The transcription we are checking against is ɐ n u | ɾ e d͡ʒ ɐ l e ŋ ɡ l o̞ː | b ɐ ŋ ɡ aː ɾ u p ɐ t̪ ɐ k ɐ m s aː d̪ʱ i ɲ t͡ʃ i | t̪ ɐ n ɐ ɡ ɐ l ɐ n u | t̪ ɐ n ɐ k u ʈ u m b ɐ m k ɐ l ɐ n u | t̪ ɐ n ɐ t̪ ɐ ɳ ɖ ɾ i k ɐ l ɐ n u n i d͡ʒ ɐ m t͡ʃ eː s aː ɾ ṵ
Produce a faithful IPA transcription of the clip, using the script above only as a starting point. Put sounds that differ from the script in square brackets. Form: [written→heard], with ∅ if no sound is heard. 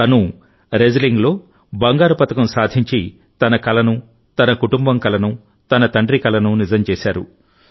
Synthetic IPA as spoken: ɐ n u | ɾ e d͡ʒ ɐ l [e→i] ŋ ɡ l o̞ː | b ɐ ŋ ɡ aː ɾ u p ɐ t̪ ɐ k ɐ m s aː d̪ʱ i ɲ t͡ʃ i | t̪ ɐ n ɐ [ɡ→k] ɐ l ɐ n u | t̪ ɐ n ɐ k u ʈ u m b ɐ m k ɐ l ɐ n u | t̪ ɐ n ɐ t̪ ɐ ɳ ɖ ɾ i k ɐ l ɐ n u n i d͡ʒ ɐ m t͡ʃ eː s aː ɾ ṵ

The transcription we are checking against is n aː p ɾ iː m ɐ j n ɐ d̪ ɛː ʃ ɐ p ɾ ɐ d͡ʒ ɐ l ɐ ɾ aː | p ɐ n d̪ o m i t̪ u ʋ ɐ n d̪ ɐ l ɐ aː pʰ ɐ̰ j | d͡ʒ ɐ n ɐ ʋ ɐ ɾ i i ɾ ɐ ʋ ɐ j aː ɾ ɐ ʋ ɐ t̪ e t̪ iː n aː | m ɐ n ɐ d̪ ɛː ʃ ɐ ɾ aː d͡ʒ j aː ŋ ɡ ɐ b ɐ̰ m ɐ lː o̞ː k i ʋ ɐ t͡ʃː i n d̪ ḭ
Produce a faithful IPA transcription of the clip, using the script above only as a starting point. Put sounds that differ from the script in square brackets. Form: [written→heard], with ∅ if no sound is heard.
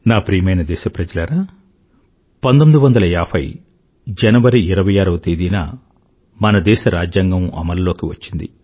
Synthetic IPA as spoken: n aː p ɾ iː m ɐ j n ɐ d̪ ɛː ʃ ɐ p ɾ ɐ d͡ʒ ɐ l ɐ ɾ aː | p ɐ n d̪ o m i [t̪→d̪] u ʋ ɐ n d̪ ɐ l ɐ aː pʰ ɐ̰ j | d͡ʒ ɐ n ɐ ʋ ɐ ɾ i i ɾ ɐ ʋ ɐ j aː ɾ ɐ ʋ ɐ t̪ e [t̪→d̪] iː n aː | m ɐ n ɐ d̪ ɛː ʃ ɐ ɾ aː d͡ʒ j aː ŋ ɡ ɐ [b→m] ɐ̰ m ɐ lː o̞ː k i ʋ ɐ t͡ʃː i n d̪ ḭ

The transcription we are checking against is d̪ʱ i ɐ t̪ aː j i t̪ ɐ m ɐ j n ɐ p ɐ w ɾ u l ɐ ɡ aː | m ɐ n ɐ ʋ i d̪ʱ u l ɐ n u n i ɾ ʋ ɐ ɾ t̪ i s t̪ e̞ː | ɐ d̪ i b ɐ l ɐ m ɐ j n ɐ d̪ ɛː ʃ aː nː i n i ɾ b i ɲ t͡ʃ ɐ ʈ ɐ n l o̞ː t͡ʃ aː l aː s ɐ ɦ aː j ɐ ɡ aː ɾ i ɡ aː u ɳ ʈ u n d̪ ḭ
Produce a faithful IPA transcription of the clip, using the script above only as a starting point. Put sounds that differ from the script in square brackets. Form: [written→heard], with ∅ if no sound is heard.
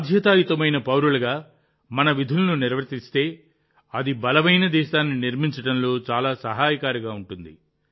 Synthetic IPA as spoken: d̪ʱ [i→j] ɐ t̪ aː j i t̪ ɐ m ɐ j n ɐ p ɐ w ɾ u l ɐ ɡ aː | m ɐ n ɐ ʋ i d̪ʱ u l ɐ n u n i ɾ ʋ ɐ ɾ t̪ i s t̪ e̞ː | ɐ d̪ i b ɐ l ɐ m ɐ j n ɐ d̪ ɛː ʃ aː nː i n i ɾ [b→m] i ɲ t͡ʃ ɐ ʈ ɐ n l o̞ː t͡ʃ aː l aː s ɐ ɦ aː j ɐ [ɡ→k] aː ɾ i ɡ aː u ɳ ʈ u n d̪ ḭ

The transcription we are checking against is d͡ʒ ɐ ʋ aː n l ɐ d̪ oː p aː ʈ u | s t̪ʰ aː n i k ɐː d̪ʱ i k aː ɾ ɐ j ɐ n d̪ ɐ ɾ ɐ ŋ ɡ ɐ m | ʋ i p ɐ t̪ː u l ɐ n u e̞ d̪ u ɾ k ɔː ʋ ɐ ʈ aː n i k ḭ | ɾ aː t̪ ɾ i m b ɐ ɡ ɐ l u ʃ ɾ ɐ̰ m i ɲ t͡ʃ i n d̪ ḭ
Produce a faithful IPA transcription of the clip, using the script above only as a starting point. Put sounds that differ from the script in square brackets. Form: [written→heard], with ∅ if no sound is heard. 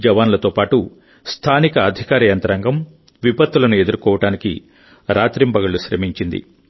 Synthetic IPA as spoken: d͡ʒ ɐ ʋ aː n l ɐ [d̪→t̪] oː p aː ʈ u | s t̪ʰ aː n i k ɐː d̪ʱ i k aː ɾ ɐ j ɐ n [d̪→t̪] ɐ ɾ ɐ ŋ ɡ ɐ m | ʋ i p ɐ t̪ː u l ɐ n u e̞ d̪ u ɾ k ɔː ʋ ɐ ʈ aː n i k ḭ | ɾ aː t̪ ɾ i m b ɐ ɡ ɐ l u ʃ ɾ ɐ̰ m i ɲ t͡ʃ i n d̪ ḭ

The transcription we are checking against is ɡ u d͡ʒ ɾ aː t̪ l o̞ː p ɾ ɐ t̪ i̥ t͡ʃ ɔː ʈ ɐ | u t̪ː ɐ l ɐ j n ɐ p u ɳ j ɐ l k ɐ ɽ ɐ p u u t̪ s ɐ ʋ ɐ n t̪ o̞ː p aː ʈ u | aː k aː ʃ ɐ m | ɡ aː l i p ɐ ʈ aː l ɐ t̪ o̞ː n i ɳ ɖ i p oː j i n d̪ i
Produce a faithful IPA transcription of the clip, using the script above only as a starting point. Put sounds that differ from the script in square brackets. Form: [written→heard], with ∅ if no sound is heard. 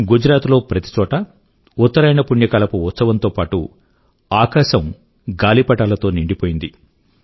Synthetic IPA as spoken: ɡ u d͡ʒ ɾ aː t̪ l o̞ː p ɾ ɐ t̪ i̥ t͡ʃ ɔː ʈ ɐ | u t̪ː ɐ [l→ɾ] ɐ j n ɐ p u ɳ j ɐ [l→∅] k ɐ [ɽ→l] ɐ p u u t̪ s ɐ ʋ ɐ n t̪ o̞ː p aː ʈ u | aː k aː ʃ ɐ m | ɡ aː l i p ɐ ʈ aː l ɐ t̪ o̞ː n i ɳ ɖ i p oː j i n d̪ i

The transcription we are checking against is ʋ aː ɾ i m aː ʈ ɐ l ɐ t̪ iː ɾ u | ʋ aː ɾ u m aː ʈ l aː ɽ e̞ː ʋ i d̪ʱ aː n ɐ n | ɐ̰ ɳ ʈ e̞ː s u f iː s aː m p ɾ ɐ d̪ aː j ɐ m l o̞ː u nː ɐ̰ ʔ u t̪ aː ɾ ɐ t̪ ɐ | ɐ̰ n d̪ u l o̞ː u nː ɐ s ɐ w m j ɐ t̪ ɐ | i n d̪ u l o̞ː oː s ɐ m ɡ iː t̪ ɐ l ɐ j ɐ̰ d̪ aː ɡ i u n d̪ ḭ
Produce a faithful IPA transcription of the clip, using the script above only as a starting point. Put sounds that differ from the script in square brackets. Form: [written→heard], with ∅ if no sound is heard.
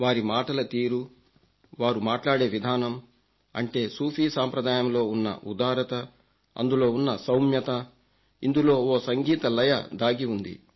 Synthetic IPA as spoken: ʋ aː ɾ i m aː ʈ ɐ l ɐ t̪ iː ɾ u | ʋ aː ɾ u m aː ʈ l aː ɽ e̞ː ʋ i d̪ʱ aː n ɐ [n→m] | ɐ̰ ɳ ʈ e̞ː s [u→uː] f iː s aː m p ɾ ɐ d̪ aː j ɐ m l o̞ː u nː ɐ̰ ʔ u [t̪→d̪] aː ɾ ɐ t̪ ɐ | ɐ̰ n d̪ u l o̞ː u nː ɐ s ɐ w m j ɐ t̪ ɐ | i n d̪ u l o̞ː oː s ɐ [m→ŋ] ɡ iː t̪ ɐ l ɐ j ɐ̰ d̪ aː ɡ i u n d̪ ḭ

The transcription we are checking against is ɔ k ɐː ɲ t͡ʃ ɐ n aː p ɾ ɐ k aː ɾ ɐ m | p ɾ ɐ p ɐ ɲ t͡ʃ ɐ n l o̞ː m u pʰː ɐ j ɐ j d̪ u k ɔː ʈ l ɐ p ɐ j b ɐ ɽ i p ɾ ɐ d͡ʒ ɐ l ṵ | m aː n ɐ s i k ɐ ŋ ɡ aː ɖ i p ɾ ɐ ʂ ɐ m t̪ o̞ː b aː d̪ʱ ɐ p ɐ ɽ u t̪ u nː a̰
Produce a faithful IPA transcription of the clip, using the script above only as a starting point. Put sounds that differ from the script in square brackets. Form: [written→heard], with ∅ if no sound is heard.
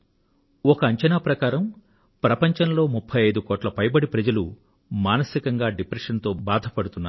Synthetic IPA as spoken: ɔ k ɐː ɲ t͡ʃ ɐ n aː p ɾ ɐ k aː ɾ ɐ m | p ɾ ɐ p ɐ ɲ t͡ʃ ɐ n l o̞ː m u pʰː ɐ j ɐ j d̪ u k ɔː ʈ l ɐ p ɐ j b ɐ ɽ i p ɾ ɐ d͡ʒ ɐ l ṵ | m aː n ɐ s i k ɐ ŋ ɡ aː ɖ i p ɾ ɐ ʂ ɐ [m→n] t̪ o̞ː b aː d̪ʱ ɐ p ɐ ɽ u t̪ u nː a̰

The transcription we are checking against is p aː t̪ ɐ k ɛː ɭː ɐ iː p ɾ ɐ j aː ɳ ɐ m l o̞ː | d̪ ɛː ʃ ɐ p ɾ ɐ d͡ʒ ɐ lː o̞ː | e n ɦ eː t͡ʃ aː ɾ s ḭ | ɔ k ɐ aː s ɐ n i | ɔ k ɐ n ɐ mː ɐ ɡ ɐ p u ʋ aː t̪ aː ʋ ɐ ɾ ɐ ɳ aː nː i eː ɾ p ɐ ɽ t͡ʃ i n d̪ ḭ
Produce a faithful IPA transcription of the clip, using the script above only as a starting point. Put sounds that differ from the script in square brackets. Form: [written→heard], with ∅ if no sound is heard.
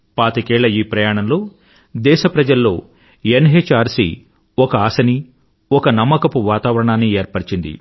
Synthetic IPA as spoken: p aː t̪ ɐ k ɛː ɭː ɐ iː p ɾ ɐ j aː ɳ ɐ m l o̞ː | d̪ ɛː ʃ ɐ p ɾ ɐ d͡ʒ ɐ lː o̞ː | e n ɦ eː t͡ʃ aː ɾ s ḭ | ɔ k ɐ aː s ɐ n i | ɔ k ɐ n ɐ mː ɐ [ɡ→k] ɐ p u ʋ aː t̪ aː ʋ ɐ ɾ ɐ ɳ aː nː i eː ɾ p ɐ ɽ t͡ʃ i n d̪ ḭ

